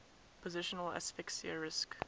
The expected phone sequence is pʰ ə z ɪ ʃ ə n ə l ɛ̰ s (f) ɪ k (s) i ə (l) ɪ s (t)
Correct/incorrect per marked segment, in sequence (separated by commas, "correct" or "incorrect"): correct, correct, incorrect, incorrect